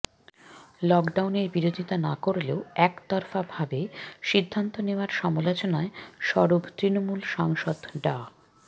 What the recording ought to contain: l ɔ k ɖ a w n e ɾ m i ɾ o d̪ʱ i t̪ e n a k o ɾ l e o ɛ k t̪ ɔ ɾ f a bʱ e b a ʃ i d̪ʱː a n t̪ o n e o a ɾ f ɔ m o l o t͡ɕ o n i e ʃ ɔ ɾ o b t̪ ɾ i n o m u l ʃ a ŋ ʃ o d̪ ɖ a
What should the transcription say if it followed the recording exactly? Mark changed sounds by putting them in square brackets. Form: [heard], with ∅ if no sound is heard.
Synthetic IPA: l ɔ k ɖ a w n e ɾ [b] i ɾ o d̪ʱ i t̪ [a] n a k o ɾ l e o ɛ k t̪ ɔ ɾ f a bʱ [a] b [e] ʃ i d̪ʱː a n t̪ o n e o a ɾ [ʃ] ɔ m o l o t͡ɕ o n [a] e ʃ ɔ ɾ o b t̪ ɾ i n o m u l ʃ a ŋ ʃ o d̪ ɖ a